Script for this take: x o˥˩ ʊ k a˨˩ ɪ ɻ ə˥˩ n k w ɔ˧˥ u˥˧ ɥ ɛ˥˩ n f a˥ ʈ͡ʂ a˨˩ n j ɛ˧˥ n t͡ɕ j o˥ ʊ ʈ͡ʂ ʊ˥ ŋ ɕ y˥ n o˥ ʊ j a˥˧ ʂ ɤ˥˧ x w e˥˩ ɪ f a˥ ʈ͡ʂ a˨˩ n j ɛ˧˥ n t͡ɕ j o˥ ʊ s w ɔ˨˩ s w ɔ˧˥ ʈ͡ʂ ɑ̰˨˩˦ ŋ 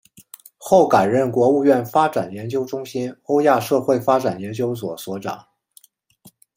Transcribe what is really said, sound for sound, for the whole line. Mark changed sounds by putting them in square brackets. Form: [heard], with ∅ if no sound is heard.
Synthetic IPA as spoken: x o˥˩ ʊ k a˨˩ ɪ ɻ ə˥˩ n k w ɔ˧˥ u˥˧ ɥ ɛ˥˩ n f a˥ ʈ͡ʂ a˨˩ n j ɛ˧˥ n t͡ɕ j o˥ ʊ ʈ͡ʂ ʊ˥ ŋ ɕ [i˥] n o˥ ʊ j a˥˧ ʂ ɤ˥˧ x w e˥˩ ɪ f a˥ ʈ͡ʂ a˨˩ n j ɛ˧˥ n t͡ɕ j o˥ ʊ s w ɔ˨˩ s w ɔ˧˥ ʈ͡ʂ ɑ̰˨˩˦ ŋ